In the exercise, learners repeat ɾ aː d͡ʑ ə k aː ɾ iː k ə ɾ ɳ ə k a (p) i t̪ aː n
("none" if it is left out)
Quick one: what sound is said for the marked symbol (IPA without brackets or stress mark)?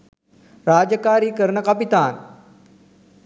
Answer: p